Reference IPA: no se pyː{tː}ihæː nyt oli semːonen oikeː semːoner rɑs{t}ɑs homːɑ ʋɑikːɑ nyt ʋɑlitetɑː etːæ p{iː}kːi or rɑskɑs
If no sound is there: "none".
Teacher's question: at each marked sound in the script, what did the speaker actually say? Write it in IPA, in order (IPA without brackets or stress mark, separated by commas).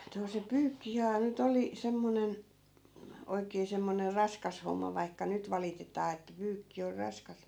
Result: kː, k, yː